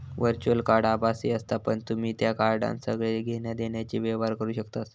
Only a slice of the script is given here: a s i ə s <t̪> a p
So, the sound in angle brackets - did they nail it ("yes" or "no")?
yes